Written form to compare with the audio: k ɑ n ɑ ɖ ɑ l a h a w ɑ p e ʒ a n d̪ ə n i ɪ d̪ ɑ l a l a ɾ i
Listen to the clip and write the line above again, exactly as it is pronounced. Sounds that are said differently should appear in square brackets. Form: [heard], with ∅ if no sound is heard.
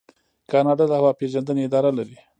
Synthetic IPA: k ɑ n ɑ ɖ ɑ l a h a w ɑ p e ʒ a n d̪ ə n [e] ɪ d̪ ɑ [ɾ] a l a ɾ i